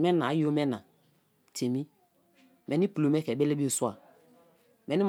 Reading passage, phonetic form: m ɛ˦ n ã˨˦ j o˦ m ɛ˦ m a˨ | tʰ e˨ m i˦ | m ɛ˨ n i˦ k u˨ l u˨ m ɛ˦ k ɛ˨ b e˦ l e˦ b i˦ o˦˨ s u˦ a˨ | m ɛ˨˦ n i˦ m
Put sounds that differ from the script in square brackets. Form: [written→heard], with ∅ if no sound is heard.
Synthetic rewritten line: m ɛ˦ n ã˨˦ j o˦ m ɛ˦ [m→n] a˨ | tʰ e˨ m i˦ | m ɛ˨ n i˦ [k→p] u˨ l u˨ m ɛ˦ k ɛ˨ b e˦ l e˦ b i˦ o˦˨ s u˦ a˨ | m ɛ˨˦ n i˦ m